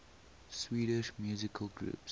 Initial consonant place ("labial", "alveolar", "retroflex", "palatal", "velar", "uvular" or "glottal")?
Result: alveolar